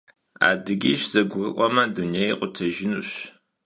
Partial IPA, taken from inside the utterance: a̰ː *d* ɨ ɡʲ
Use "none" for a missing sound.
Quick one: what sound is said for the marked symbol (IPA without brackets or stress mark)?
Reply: d